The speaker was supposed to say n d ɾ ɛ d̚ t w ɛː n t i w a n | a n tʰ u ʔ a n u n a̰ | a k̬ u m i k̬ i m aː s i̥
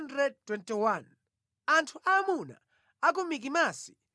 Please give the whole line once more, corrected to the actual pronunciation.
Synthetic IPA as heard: n d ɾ ɛ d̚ t w ɛ n t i w a n | a n tʰ u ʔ a m u n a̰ | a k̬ u m i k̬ i m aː s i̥